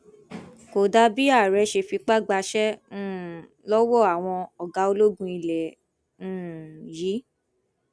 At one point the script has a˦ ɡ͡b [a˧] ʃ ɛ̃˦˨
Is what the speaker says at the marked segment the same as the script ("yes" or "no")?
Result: yes